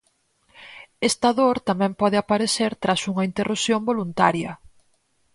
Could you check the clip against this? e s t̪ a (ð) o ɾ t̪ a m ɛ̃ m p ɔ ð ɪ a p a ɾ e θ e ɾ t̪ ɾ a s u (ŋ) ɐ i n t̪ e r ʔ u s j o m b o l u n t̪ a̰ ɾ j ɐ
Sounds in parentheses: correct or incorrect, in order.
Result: correct, correct

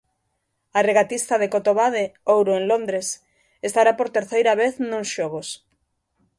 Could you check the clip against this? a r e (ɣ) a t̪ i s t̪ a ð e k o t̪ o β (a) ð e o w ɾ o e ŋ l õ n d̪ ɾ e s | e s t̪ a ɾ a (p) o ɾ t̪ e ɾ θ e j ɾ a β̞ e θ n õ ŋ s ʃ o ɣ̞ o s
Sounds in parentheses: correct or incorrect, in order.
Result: correct, correct, correct

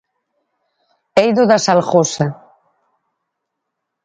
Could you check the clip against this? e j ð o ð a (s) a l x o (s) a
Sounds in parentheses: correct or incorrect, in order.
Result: correct, correct

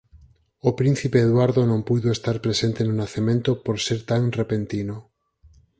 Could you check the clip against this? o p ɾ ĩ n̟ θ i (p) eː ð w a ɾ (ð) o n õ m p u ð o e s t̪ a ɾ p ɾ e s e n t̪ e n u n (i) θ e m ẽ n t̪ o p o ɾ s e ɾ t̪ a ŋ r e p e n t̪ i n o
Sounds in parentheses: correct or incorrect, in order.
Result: correct, correct, incorrect: a

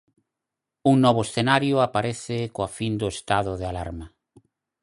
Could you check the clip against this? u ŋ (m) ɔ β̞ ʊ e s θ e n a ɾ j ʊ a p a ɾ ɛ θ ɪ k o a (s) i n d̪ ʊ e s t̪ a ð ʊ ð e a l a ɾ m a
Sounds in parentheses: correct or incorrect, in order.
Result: incorrect: n, incorrect: f

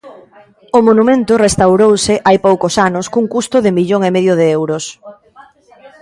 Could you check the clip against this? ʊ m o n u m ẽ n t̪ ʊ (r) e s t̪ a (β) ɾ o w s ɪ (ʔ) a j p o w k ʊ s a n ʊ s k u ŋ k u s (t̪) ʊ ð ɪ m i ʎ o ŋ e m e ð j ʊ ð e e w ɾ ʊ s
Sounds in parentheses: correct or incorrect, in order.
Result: correct, incorrect: w, correct, correct

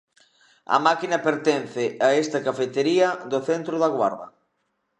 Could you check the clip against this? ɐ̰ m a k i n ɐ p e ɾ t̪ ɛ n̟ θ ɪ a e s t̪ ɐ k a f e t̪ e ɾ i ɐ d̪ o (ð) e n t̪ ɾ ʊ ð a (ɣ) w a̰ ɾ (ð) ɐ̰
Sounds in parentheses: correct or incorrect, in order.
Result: incorrect: θ, correct, correct

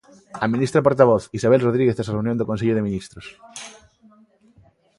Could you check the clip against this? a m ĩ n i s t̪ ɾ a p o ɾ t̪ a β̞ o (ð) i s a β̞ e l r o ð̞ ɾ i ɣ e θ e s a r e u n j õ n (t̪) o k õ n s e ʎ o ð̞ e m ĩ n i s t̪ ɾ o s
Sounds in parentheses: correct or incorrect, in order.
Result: incorrect: θ, incorrect: d̪

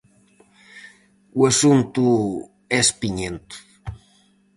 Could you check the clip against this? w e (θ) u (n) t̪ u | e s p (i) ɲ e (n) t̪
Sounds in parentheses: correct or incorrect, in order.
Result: incorrect: s, correct, correct, correct

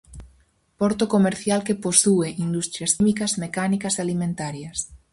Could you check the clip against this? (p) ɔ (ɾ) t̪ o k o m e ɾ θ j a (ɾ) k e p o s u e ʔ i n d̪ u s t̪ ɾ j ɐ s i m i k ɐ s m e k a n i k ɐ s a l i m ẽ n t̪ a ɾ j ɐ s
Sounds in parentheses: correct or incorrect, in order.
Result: correct, correct, incorrect: l

